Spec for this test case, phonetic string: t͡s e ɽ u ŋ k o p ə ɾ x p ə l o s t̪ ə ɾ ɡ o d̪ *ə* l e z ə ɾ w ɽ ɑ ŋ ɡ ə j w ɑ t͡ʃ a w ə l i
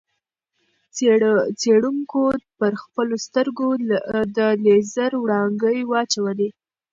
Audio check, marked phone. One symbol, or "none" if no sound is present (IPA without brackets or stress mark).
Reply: ə